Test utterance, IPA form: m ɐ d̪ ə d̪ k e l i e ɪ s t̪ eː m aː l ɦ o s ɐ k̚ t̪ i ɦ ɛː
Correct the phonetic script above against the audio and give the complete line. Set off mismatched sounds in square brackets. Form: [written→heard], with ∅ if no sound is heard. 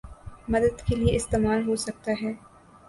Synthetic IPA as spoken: m ɐ d̪ ə d̪ k e l i e ɪ s t̪ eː m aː l ɦ o s ɐ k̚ t̪ [i→a] ɦ ɛː